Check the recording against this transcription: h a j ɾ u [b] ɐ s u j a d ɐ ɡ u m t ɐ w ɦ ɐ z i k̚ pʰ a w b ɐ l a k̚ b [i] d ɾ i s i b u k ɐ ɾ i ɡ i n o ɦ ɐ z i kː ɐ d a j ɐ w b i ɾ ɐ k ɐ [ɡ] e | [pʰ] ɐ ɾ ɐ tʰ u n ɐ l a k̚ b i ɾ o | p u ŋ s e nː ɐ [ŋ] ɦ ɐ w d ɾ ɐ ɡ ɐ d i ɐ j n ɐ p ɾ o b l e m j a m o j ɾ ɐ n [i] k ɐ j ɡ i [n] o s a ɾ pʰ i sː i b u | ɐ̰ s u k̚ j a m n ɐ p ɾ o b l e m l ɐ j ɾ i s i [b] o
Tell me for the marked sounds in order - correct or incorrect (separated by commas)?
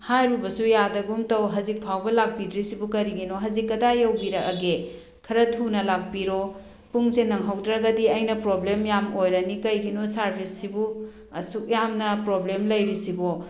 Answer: correct, correct, correct, incorrect, correct, correct, correct, correct